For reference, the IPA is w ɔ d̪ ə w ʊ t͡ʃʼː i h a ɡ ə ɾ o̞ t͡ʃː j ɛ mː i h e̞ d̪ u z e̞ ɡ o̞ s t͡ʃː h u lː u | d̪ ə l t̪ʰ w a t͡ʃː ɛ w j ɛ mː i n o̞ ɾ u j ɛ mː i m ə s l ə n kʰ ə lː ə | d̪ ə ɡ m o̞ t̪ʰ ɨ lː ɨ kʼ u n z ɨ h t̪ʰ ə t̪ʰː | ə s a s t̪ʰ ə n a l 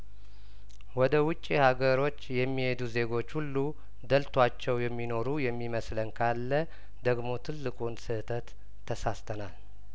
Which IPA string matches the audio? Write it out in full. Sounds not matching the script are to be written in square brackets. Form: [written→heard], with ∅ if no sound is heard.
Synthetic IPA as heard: w ɔ d̪ ə w ʊ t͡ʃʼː i h a ɡ ə ɾ o̞ t͡ʃː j ɛ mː i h e̞ d̪ u z e̞ ɡ o̞ [s→∅] t͡ʃː h u lː u | d̪ ə l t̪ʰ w a t͡ʃː ɛ w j ɛ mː i n o̞ ɾ u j ɛ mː i m ə s l ə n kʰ [ə→a] lː ə | d̪ ə ɡ m o̞ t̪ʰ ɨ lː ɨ kʼ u n [z→s] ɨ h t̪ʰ ə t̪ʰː | ə s a s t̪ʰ ə n a l